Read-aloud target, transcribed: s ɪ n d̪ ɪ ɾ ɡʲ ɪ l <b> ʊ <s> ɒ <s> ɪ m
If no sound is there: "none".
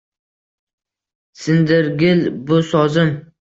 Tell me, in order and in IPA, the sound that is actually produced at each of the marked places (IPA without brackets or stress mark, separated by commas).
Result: b, s, z